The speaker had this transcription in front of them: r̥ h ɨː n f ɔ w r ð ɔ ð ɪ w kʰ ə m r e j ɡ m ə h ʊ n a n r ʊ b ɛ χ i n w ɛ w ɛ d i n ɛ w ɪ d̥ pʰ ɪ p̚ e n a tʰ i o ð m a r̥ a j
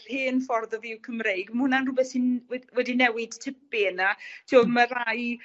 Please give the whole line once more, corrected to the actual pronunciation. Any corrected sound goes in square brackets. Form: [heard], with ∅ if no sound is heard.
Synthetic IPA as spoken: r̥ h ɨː n f ɔ [∅] r ð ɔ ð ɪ w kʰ ə m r e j ɡ m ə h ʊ n a n r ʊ b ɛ [θ] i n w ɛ w ɛ d i n ɛ w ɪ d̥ [tʰ] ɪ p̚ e n a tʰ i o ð m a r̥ a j